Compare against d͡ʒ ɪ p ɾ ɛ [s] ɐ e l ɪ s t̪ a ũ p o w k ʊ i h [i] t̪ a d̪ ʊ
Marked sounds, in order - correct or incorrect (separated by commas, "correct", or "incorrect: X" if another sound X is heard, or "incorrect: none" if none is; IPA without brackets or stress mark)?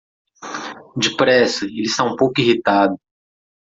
correct, correct